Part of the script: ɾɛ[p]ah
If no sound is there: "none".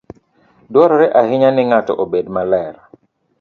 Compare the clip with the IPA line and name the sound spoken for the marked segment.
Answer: ʔ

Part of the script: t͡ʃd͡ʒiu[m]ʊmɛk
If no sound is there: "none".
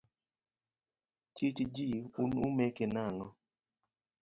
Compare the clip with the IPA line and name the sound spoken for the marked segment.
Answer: n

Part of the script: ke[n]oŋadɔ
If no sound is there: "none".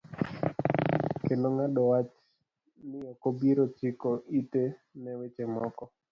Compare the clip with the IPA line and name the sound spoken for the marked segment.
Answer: n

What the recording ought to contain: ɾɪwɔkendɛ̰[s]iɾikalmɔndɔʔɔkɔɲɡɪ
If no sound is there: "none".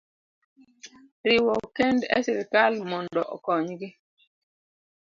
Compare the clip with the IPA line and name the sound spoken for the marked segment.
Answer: s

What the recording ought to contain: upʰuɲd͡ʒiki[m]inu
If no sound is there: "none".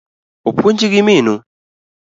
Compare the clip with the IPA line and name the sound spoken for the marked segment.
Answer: m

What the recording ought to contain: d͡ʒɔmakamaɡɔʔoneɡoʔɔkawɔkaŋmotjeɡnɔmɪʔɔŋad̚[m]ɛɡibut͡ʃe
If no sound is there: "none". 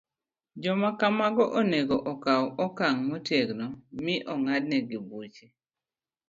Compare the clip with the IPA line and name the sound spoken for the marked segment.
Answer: n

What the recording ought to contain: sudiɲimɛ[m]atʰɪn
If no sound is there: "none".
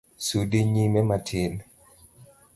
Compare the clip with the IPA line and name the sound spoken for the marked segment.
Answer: m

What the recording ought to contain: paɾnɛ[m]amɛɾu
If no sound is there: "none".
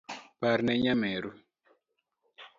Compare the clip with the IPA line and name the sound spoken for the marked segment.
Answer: ɲ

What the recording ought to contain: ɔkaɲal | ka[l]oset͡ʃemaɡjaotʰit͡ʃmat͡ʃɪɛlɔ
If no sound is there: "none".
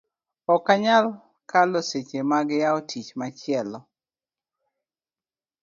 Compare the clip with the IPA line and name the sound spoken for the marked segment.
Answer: l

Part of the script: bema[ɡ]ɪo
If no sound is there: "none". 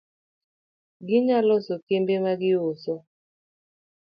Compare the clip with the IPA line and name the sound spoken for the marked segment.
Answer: ɡ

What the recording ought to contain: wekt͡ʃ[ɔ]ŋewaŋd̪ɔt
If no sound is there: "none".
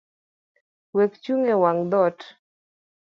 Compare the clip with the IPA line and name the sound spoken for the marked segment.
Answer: u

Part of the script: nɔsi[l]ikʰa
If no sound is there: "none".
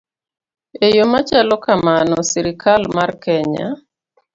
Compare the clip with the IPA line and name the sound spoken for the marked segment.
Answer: ɾ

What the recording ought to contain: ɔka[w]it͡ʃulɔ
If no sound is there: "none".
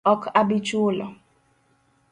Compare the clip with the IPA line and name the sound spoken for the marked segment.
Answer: b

